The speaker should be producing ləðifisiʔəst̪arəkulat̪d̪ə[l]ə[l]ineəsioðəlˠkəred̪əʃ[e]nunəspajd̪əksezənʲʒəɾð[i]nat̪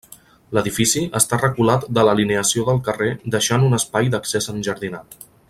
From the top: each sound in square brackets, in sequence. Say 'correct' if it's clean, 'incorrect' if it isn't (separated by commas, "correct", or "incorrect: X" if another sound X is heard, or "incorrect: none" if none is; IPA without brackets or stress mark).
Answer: correct, correct, incorrect: a, correct